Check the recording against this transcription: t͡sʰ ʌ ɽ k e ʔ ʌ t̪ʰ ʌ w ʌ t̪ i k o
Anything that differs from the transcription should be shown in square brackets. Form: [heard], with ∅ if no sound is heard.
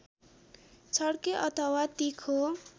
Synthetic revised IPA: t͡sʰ ʌ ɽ k e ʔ ʌ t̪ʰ ʌ w [a] t̪ i [kʰ] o